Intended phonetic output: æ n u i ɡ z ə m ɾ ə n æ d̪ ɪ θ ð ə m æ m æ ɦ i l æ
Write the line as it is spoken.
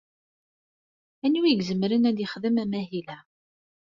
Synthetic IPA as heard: æ n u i ɡ z ə m ɾ ə n æ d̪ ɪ χ ð ə m æ m æ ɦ i l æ